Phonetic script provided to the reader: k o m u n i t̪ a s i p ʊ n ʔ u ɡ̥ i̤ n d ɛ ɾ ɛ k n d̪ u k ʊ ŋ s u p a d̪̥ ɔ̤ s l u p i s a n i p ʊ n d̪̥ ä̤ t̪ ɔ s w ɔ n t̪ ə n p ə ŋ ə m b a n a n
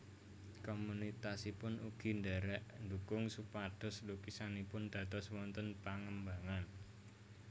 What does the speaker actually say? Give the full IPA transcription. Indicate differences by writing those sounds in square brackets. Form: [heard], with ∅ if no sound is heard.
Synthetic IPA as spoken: k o m u n i t̪ a s i p ʊ n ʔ u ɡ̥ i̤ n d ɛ ɾ ɛ [ʔ] n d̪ u k ʊ ŋ s u p a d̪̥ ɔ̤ s l u [k] i s a n i p ʊ n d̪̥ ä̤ t̪ ɔ s w ɔ n t̪ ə n p [a] ŋ ə m b a [ŋ] a n